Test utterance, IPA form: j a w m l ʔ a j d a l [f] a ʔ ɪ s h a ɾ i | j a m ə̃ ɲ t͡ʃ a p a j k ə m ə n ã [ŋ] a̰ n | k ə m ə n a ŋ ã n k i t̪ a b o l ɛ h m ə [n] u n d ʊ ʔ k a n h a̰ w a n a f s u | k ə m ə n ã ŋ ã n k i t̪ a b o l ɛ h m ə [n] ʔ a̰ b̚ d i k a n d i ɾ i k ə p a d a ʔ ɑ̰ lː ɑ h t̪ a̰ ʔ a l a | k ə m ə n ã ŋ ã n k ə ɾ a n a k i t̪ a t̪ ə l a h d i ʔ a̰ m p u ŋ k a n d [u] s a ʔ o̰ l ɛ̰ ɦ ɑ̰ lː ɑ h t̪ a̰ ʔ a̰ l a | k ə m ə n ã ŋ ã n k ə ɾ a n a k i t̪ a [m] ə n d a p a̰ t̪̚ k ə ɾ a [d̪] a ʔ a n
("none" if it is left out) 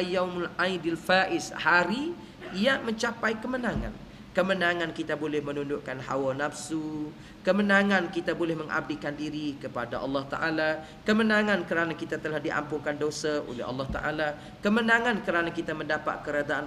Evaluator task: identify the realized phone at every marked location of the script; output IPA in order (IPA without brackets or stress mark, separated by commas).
f, ŋ, n, ŋ, o, m, d̪